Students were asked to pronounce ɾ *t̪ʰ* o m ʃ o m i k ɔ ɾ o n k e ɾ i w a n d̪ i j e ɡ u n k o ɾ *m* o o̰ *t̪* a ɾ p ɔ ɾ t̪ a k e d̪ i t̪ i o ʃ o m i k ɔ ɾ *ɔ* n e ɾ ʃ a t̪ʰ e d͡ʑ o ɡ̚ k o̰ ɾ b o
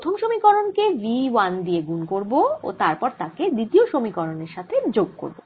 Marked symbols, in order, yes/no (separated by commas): yes, no, yes, no